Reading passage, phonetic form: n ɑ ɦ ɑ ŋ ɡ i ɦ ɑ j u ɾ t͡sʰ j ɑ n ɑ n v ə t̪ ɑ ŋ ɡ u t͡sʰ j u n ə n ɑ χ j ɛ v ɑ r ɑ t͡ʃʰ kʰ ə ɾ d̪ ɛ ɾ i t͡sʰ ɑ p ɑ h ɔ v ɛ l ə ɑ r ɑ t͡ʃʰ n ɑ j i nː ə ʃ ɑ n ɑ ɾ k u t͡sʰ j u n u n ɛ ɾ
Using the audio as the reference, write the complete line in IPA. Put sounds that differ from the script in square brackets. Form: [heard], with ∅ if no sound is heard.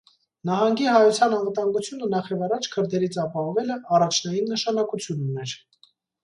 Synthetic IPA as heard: n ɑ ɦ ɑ ŋ ɡ i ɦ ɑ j u [∅] t͡sʰ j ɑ n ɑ n v ə t̪ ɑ ŋ ɡ u t͡sʰ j u n ə n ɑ χ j ɛ v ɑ r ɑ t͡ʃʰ kʰ ə ɾ d̪ ɛ ɾ i t͡sʰ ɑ p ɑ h ɔ v ɛ l ə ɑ r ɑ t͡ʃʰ n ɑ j i nː ə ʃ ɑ n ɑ [∅] k u t͡sʰ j u n u n ɛ ɾ